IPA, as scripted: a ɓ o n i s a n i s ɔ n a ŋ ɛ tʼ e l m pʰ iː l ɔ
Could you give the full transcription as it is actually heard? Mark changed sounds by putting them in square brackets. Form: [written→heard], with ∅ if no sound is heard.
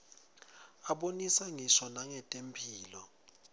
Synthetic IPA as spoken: a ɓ o n i s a [n→ŋ] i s ɔ n a ŋ ɛ tʼ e [l→∅] m pʰ iː l ɔ

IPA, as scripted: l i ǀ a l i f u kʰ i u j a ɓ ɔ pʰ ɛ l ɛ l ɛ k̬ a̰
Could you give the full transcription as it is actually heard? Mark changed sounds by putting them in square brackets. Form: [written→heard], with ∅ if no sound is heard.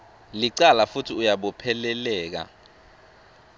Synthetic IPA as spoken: l i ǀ a l [i→a] f u [kʰ→tʰ] i u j a ɓ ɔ pʰ ɛ l ɛ l [ɛ→ɛː] k̬ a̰

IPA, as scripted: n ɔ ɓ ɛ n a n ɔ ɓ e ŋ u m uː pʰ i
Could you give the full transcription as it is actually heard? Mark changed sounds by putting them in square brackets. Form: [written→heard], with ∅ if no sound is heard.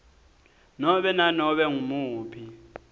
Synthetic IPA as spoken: n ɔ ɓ ɛ n a n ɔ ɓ [e→ɛ] ŋ u m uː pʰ i

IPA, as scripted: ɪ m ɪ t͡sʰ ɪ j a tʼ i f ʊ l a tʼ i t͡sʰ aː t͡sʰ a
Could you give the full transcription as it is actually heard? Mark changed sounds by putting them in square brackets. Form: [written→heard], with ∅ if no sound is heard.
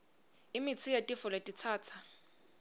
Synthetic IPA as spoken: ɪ m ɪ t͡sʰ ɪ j a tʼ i f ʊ l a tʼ i t͡sʰ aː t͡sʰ a

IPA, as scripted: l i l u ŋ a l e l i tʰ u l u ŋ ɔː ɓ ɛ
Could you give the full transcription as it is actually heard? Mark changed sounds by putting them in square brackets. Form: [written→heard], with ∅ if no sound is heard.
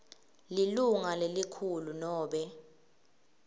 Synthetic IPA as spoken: l i l u ŋ a l e l i [tʰ→kʰ] u l u [ŋ→n] ɔː ɓ ɛ

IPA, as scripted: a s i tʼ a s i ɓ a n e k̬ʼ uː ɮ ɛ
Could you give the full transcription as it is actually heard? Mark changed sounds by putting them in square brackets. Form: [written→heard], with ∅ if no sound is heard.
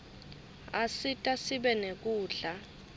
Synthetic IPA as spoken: a s i tʼ a s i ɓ [a→ɛ] n e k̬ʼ uː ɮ [ɛ→a]

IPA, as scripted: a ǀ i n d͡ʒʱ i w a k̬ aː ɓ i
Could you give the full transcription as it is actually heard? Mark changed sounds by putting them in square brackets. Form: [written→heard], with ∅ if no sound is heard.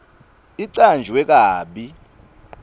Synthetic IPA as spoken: [a→i] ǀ [i→a] n d͡ʒʱ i w [a→ɛ] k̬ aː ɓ i

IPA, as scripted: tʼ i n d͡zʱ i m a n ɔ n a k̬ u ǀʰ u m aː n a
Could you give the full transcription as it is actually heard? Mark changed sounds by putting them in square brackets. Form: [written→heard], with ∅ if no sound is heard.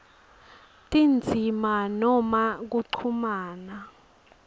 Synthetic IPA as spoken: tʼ i n d͡zʱ i m a n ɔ [n→m] a k̬ u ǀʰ u m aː n a

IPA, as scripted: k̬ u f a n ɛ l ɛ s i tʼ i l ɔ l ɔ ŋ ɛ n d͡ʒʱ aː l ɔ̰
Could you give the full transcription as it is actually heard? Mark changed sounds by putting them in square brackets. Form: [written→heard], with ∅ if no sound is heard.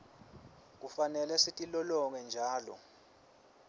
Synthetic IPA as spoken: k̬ u f a n ɛ l ɛ s i tʼ i l ɔ l ɔ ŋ ɛ n d͡ʒʱ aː l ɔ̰

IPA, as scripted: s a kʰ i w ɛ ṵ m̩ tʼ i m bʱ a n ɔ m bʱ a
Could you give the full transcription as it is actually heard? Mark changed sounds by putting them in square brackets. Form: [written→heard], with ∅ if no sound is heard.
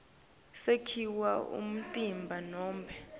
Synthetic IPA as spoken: s [a→e] kʰ i w [ɛ→a] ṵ m̩ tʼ i m bʱ a n [ɔ→ɔː] m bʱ [a→ɛ]

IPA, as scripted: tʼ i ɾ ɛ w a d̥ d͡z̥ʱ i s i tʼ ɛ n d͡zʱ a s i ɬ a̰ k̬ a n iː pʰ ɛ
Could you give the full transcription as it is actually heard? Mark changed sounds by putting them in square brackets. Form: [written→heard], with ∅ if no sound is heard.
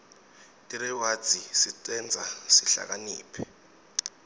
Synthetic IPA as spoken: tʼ i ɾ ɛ w a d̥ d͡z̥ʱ i s i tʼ ɛ n d͡zʱ a s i ɬ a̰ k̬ a n iː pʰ ɛ

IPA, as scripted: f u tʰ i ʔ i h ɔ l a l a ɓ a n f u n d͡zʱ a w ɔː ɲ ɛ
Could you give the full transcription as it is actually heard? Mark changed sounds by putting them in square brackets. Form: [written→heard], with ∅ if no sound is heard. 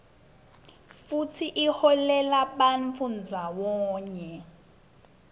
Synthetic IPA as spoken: f u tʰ i ʔ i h ɔ l [a→ɛ] l a ɓ a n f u n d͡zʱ a w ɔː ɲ ɛ

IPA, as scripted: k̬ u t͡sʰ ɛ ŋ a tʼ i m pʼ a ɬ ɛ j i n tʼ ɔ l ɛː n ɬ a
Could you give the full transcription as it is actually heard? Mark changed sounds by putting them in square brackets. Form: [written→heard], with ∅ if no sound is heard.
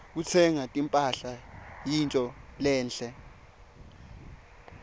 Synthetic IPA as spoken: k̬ u t͡sʰ ɛ ŋ a tʼ i m pʼ a ɬ [ɛ→a] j i n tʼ ɔ l ɛː n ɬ [a→ɛ]

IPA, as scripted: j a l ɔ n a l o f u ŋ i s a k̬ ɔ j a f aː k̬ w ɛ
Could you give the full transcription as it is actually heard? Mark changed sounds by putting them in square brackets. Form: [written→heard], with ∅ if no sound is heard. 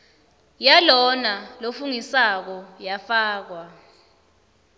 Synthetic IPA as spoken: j a l ɔ n a l o f u ŋ i s a k̬ ɔ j a f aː k̬ w [ɛ→a]

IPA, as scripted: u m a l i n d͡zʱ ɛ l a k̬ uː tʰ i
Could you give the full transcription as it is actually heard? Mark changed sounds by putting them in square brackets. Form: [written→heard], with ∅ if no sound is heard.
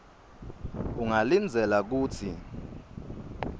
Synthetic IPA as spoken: u [m→ŋ] a l i n d͡zʱ ɛ l a k̬ uː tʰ i

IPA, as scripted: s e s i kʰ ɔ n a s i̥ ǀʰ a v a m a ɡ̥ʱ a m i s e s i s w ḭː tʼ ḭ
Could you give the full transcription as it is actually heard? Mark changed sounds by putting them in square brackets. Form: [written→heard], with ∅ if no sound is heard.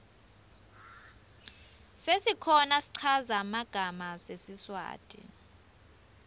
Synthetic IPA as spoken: s e s i kʰ ɔ n a s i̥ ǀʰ a [v→z] a m a ɡ̥ʱ a m [i→a] s e s i s w [ḭː→a̰ː] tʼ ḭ

